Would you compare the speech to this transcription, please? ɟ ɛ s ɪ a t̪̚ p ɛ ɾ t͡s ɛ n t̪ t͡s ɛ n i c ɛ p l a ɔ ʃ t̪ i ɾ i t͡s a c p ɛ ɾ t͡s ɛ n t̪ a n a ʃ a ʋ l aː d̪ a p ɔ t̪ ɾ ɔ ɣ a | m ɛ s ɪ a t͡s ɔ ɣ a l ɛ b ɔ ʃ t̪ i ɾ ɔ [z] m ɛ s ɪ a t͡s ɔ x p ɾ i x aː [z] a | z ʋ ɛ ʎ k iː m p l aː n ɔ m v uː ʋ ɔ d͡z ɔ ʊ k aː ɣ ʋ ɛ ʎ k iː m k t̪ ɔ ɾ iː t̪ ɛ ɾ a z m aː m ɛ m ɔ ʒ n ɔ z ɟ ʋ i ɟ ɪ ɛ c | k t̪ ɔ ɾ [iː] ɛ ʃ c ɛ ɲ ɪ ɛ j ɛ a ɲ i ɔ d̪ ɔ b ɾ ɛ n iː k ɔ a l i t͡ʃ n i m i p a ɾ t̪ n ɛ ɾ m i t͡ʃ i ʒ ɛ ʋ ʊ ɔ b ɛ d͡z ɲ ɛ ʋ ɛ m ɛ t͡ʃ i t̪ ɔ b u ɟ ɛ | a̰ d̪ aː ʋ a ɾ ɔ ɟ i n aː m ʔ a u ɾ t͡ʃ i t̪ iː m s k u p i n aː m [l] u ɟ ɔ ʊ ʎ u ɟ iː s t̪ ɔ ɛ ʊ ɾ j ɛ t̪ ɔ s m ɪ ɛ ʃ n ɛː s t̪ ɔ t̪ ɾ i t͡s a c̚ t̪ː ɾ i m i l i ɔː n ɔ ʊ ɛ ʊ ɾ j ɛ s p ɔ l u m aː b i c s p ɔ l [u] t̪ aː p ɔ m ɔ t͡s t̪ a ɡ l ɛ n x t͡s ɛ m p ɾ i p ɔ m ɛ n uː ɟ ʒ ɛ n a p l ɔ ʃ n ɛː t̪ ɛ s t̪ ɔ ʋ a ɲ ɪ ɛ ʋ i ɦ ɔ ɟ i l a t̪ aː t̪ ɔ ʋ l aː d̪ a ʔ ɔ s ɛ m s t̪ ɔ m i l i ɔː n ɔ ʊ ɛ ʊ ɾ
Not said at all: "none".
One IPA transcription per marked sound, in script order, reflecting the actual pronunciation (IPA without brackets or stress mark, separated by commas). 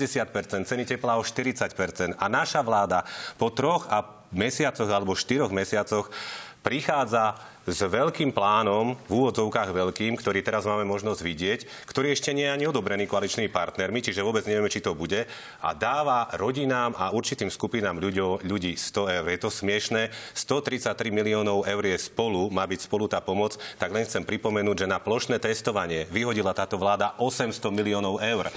ɣ, d͡z, iː, ʎ, u